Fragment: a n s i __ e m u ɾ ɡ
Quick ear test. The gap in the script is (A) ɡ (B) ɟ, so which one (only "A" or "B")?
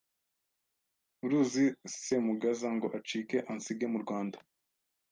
A